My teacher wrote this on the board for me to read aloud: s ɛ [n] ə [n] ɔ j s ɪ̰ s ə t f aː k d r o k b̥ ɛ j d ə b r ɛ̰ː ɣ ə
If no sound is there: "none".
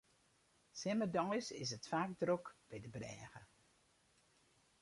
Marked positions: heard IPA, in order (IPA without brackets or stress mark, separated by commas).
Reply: m, d